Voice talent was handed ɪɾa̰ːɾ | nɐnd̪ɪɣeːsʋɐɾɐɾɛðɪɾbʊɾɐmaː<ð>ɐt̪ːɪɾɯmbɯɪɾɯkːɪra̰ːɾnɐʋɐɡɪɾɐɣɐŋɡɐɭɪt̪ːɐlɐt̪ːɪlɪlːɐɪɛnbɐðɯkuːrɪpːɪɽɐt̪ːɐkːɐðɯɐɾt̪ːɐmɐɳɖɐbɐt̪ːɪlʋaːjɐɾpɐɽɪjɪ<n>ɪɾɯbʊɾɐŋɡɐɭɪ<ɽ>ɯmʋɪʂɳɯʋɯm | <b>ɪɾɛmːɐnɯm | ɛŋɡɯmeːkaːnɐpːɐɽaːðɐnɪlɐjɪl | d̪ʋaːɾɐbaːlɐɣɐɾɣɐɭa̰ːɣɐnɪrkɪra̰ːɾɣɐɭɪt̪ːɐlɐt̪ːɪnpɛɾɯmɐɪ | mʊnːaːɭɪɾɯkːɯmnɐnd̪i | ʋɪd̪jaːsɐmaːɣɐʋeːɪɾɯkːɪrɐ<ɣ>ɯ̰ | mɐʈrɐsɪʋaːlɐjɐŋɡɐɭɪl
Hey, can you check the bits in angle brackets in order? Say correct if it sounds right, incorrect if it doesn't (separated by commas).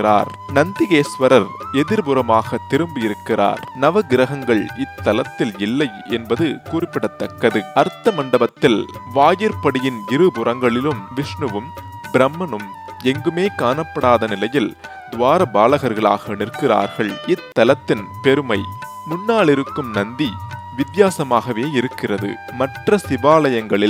incorrect, correct, incorrect, correct, incorrect